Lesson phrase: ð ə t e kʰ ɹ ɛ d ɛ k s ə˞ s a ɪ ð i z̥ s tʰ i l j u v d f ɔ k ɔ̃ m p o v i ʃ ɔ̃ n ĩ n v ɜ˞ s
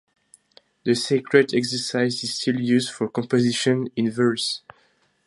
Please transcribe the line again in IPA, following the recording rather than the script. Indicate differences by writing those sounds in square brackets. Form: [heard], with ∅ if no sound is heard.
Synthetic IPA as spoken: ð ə [s] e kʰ ɹ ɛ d ɛ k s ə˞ s a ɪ [z] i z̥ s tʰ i l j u [z] d f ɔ k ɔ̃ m p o [z] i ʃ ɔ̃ n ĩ n v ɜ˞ s